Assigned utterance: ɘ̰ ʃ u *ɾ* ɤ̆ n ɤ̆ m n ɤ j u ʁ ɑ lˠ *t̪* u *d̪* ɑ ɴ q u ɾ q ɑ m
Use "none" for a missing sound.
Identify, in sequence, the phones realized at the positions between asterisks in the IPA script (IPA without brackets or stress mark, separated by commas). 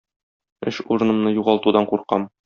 ɾ, t̪, d̪